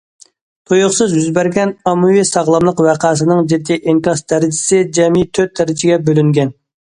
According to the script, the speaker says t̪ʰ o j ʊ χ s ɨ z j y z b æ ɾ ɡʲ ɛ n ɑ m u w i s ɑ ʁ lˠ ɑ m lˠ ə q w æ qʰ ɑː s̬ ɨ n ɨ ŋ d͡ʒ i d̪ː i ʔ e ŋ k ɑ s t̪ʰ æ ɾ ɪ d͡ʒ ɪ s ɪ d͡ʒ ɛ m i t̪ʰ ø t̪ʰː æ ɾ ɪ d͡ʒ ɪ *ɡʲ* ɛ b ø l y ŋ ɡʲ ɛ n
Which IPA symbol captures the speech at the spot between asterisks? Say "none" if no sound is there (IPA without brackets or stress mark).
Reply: ɡʲ